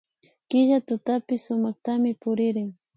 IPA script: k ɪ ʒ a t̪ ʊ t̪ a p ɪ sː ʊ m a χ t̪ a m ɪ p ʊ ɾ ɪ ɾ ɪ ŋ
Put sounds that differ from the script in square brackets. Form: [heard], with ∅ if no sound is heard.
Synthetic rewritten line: k ɪ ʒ a t̪ ʊ t̪ a p ɪ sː ʊ m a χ t̪ a m ɪ p ʊ ɾ ɪ ɾ ɪ ŋ